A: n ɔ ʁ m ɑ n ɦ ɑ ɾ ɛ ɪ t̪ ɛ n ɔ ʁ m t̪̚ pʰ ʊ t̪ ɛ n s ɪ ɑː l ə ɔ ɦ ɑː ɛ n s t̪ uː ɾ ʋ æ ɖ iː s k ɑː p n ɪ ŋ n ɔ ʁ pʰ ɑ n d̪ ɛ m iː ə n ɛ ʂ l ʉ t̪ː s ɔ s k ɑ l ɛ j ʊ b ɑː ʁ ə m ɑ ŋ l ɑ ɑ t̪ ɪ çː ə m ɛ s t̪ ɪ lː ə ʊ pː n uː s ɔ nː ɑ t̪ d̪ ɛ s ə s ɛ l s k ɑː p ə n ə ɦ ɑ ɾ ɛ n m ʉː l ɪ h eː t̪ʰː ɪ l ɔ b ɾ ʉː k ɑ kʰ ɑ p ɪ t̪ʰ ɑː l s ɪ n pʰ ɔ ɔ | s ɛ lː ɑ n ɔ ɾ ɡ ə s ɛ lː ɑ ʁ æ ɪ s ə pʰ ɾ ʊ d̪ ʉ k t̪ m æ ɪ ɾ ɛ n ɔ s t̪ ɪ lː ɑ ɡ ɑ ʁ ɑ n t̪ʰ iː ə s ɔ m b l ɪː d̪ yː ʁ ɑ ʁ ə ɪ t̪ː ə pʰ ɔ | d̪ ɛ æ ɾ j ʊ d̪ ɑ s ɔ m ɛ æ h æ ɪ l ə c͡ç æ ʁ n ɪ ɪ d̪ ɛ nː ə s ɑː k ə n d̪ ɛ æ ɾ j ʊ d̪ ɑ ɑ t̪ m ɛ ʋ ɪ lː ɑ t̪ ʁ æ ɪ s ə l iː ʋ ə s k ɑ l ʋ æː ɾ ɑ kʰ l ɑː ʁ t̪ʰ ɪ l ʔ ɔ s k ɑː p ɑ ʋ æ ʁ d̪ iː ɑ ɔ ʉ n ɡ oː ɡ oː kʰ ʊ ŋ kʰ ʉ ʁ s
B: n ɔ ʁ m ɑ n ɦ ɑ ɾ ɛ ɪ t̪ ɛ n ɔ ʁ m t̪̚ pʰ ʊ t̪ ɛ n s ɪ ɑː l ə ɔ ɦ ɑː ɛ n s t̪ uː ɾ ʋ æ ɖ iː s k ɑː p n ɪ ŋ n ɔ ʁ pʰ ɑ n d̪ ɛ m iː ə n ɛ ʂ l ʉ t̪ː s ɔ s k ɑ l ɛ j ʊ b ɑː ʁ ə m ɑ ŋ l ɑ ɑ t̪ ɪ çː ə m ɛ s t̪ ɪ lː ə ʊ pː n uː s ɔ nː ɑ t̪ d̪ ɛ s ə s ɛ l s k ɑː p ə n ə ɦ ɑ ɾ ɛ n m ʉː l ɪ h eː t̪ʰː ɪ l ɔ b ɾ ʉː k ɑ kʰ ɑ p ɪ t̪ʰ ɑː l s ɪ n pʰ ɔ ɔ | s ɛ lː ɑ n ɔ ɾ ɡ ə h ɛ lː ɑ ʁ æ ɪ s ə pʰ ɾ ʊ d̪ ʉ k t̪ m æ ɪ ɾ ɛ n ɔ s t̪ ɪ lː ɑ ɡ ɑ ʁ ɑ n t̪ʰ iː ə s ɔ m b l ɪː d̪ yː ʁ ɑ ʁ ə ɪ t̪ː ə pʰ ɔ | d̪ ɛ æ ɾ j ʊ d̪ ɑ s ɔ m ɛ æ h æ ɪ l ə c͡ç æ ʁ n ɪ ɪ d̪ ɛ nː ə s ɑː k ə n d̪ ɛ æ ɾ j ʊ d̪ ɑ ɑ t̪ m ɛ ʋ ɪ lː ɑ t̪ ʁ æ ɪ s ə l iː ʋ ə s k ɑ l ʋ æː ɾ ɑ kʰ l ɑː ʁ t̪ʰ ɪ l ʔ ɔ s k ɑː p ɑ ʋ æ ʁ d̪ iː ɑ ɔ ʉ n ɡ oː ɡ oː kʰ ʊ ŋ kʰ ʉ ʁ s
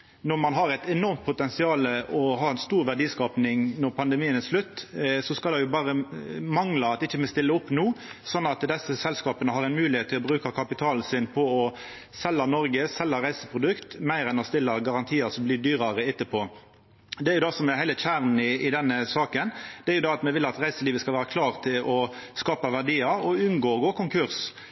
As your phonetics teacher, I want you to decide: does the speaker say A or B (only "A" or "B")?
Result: A